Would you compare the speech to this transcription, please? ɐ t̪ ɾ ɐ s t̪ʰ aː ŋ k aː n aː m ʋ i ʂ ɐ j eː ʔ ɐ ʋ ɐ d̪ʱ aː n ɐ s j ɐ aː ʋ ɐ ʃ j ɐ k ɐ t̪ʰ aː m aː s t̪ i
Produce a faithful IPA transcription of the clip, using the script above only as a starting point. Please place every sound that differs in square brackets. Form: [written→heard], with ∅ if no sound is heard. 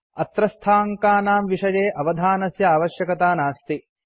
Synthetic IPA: ɐ t̪ ɾ ɐ s t̪ʰ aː ŋ k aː n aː m ʋ i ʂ ɐ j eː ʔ ɐ ʋ ɐ d̪ʱ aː n ɐ s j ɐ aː ʋ ɐ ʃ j ɐ k ɐ [t̪ʰ→t̪] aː [m→n] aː s t̪ i